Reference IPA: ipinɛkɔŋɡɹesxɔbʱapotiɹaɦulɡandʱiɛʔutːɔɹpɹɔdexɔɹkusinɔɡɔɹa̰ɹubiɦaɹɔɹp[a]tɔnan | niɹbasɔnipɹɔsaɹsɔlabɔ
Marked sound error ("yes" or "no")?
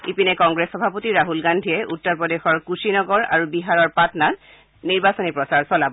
no